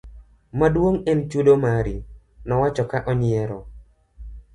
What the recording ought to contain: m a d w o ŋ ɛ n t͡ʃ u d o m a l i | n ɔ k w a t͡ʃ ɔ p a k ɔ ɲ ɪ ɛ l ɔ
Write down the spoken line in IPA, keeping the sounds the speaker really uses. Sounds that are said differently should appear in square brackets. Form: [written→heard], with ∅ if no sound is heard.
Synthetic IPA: m a d w o ŋ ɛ n t͡ʃ u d o m a [l→ɾ] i | n ɔ [k→∅] w a t͡ʃ ɔ [p→k] a [k→ʔ] ɔ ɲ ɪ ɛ [l→ɾ] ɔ